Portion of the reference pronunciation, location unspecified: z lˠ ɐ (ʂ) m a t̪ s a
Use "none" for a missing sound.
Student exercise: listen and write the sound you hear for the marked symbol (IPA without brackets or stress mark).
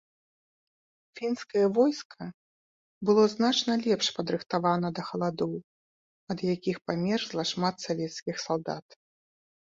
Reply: ʂ